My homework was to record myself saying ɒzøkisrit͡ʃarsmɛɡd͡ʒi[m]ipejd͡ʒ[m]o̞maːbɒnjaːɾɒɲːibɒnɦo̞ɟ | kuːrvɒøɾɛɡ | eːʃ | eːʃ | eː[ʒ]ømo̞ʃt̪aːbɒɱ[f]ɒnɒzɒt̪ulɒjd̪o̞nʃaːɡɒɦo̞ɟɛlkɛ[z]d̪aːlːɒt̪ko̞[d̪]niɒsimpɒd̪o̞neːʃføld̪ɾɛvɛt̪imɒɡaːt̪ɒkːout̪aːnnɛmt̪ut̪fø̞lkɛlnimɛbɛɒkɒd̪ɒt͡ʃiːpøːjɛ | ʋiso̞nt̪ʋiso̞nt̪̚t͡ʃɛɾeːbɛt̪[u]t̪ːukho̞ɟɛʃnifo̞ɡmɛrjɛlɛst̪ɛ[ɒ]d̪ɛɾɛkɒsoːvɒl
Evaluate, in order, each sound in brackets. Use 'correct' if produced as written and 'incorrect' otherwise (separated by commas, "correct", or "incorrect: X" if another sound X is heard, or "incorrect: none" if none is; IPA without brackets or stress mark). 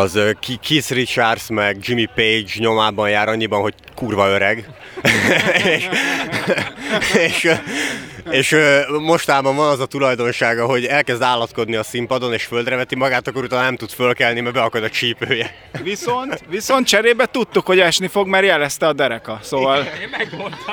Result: correct, incorrect: ɲ, incorrect: ʃ, incorrect: v, correct, correct, correct, correct